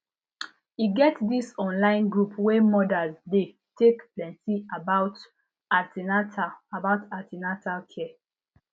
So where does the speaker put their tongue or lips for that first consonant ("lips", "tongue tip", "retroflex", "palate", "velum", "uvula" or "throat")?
velum